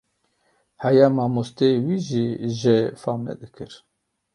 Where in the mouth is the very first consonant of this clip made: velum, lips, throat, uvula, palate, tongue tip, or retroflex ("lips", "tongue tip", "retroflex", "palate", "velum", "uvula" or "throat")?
throat